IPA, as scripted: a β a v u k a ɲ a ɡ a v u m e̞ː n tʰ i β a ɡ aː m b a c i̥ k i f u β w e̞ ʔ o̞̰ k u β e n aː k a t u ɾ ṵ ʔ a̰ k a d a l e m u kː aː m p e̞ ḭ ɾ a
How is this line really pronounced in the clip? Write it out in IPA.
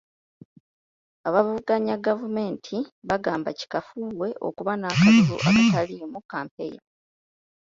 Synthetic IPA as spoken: a β a v u ɡ a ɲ a ɡ a v u m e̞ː n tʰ i β a ɡ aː m b a c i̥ k a f u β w e̞ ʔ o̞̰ k u β a n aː k a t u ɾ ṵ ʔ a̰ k a t a l i m u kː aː m p e̞ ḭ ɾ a